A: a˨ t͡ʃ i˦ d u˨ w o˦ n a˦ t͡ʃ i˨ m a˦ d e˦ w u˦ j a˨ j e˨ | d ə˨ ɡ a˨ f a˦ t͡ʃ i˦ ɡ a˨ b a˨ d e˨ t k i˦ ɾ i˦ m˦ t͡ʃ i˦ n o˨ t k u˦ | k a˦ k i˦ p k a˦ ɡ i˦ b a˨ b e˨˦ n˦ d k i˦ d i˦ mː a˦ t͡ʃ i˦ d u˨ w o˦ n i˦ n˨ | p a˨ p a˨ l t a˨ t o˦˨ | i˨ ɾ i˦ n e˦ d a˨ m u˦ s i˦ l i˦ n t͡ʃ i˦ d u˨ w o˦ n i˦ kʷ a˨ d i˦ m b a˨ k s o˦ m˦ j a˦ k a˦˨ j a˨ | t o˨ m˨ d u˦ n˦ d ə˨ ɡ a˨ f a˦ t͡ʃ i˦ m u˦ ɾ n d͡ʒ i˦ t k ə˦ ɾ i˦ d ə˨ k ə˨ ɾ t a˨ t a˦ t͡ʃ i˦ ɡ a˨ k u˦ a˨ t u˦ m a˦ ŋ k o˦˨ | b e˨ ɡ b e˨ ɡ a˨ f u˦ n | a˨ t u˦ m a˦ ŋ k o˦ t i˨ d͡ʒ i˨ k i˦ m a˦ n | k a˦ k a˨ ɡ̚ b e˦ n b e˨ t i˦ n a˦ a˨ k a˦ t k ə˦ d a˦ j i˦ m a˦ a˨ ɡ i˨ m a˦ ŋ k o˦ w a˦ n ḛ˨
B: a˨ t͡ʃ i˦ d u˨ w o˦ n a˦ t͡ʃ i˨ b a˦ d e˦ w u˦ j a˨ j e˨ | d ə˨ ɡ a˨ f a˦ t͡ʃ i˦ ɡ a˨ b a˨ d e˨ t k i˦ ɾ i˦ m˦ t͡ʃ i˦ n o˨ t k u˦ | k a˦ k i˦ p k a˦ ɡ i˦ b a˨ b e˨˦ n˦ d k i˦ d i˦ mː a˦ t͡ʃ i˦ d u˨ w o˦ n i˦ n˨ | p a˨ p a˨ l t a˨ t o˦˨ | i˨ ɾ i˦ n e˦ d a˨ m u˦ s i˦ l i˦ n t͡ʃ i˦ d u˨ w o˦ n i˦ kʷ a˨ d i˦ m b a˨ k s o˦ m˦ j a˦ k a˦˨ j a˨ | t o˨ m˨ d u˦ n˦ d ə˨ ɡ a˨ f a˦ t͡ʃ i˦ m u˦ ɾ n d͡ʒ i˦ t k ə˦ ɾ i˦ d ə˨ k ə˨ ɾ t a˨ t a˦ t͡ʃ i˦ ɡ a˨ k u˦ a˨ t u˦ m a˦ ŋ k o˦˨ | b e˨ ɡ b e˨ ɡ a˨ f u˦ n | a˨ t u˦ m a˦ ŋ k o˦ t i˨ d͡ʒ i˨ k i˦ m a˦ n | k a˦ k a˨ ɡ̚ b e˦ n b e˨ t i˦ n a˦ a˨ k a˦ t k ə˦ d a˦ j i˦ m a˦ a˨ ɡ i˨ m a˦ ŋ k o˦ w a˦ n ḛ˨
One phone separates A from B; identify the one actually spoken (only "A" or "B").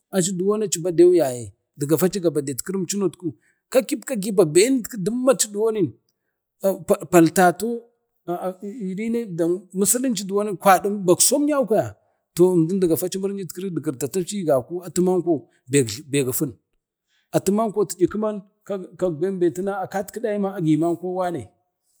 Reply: B